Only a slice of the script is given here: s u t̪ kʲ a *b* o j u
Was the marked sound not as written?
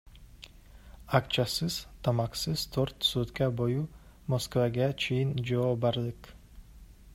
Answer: no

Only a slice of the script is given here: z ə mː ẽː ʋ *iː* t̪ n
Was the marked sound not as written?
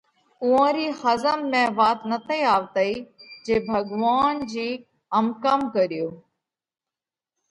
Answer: yes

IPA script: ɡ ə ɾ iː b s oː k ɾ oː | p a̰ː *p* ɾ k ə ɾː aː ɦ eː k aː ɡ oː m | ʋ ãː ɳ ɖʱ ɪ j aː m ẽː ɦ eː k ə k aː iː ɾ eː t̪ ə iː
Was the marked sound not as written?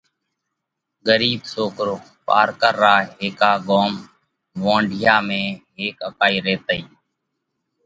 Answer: yes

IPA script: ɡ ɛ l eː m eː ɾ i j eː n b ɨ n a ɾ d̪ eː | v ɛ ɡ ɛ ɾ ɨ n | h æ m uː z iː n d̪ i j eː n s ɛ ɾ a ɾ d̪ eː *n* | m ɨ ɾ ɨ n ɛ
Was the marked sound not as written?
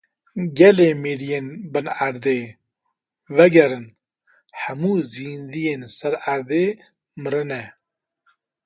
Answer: yes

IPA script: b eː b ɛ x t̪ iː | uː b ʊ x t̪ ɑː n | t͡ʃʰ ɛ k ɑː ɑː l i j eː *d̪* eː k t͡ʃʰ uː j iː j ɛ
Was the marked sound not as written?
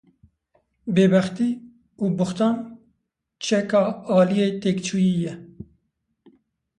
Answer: yes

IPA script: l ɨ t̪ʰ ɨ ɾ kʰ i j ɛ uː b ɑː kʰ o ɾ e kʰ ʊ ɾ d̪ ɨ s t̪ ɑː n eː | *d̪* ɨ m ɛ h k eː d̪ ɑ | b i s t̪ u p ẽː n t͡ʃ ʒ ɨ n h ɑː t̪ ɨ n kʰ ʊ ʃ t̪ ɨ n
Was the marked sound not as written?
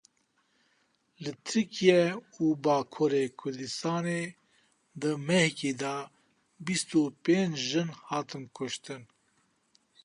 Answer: no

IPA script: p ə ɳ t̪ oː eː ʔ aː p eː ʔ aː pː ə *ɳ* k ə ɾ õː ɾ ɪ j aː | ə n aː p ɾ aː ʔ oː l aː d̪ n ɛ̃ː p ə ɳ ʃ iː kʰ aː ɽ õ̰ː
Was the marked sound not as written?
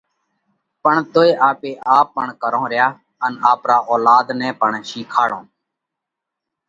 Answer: no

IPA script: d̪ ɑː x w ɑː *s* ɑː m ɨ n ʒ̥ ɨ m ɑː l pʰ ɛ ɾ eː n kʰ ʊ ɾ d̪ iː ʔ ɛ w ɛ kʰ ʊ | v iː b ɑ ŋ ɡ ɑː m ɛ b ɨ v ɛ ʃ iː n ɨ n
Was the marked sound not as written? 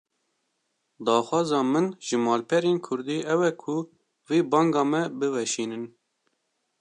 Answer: yes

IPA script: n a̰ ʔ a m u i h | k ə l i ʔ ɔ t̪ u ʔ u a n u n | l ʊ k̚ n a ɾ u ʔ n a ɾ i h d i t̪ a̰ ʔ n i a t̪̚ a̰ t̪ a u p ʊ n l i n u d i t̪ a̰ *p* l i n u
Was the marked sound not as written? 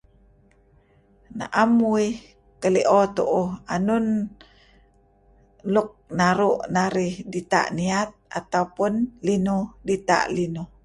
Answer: yes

